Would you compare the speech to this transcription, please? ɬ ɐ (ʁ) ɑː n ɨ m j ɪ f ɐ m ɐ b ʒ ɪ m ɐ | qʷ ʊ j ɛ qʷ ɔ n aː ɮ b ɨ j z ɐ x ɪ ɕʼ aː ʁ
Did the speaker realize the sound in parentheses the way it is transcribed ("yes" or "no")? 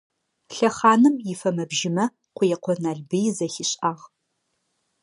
no